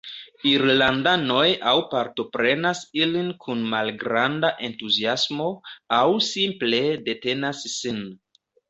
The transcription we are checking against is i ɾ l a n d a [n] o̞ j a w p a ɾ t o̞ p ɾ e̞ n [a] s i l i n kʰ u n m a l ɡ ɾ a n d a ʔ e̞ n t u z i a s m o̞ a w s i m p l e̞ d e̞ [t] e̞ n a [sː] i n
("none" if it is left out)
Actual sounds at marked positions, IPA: n, a, t, sː

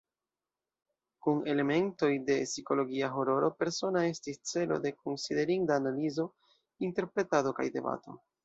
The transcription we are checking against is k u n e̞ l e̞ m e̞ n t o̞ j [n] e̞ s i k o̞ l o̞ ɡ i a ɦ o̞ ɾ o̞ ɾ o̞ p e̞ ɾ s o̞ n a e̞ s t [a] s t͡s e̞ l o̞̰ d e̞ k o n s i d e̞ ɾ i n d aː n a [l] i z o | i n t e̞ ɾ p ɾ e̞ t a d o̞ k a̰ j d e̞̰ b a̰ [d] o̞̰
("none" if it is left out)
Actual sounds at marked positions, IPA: d, i, l, t

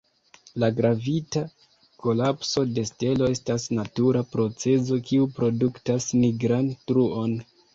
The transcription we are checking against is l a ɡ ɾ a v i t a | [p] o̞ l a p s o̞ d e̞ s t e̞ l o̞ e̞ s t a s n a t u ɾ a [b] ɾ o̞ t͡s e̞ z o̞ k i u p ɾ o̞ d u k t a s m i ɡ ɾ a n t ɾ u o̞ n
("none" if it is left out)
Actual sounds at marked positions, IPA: k, p

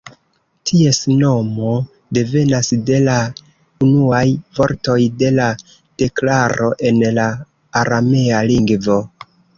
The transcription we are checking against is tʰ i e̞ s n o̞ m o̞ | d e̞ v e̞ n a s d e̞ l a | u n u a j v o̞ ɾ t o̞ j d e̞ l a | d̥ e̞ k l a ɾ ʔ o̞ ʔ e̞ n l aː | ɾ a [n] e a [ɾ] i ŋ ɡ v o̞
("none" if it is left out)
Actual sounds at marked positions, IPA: m, l

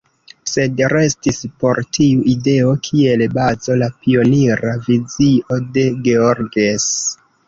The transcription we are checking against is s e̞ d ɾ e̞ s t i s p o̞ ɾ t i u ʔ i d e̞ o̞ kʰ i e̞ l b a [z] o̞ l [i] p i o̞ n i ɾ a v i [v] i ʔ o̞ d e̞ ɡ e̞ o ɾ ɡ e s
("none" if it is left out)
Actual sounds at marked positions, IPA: z, a, z

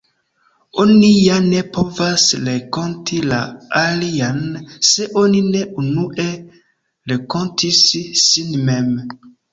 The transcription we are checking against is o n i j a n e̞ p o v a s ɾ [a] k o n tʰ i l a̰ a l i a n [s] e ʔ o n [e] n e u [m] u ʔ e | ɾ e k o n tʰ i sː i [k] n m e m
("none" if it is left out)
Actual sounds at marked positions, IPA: e, s, i, n, none

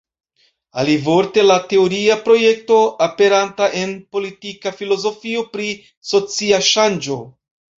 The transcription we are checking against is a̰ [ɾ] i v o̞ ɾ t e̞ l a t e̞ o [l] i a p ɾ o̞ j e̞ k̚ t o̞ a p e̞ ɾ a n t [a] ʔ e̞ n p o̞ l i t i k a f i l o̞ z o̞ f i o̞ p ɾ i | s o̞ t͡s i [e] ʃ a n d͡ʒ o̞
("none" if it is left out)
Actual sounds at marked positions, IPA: l, ɾ, a, a

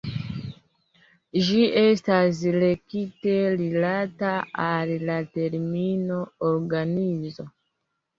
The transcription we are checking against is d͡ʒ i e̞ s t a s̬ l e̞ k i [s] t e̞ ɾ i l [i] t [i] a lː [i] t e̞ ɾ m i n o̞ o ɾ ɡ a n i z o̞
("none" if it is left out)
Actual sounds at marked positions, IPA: none, a, a, a

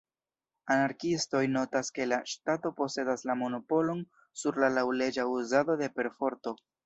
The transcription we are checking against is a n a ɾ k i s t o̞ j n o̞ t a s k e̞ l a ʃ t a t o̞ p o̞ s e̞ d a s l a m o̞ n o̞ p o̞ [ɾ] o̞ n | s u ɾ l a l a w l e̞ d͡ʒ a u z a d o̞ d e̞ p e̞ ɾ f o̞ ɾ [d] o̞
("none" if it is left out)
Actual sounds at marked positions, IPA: l, t

